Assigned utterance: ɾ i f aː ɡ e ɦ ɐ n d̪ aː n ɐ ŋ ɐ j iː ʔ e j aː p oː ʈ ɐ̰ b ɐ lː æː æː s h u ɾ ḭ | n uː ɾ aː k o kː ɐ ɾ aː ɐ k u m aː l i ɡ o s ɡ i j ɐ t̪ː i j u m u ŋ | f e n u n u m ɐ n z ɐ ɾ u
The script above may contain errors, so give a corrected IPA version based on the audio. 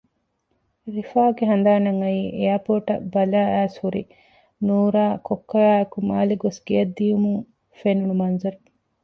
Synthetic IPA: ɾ i f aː ɡ e ɦ ɐ n d̪ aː n ɐ ŋ ɐ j iː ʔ e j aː p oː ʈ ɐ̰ b ɐ l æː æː s h u ɾ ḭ | n uː ɾ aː k o kː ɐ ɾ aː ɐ k u m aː l i ɡ o s ɡ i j ɐ d̪ː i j u m u ŋ | f e n u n u m ɐ n z ɐ ɾ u